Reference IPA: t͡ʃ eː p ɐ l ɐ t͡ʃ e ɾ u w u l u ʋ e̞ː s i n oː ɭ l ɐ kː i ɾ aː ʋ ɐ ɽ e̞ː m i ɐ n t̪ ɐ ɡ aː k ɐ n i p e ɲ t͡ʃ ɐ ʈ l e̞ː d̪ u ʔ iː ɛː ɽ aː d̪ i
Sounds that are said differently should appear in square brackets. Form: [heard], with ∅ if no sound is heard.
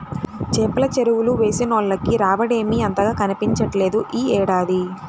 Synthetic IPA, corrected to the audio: t͡ʃ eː p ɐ l ɐ t͡ʃ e ɾ u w u l u ʋ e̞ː s i n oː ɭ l ɐ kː i ɾ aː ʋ ɐ ɽ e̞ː m i ɐ n t̪ ɐ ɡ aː k ɐ n i p [i] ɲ t͡ʃ ɐ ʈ l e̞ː d̪ u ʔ iː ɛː ɽ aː d̪ i